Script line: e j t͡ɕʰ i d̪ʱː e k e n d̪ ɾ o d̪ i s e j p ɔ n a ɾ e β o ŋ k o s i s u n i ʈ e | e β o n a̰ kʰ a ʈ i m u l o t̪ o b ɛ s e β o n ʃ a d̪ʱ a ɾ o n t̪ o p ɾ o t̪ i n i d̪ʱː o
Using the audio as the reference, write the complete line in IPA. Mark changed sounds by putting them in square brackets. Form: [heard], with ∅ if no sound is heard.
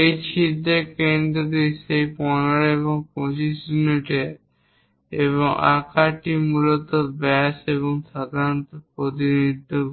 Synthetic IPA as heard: e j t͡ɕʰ i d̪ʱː e k e n d̪ ɾ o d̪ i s e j p ɔ n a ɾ e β o ŋ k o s i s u n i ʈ e | e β o [ŋ] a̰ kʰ a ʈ i m u l o t̪ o b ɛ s e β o [ŋ] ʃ a d̪ʱ a ɾ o n t̪ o p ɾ o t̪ i n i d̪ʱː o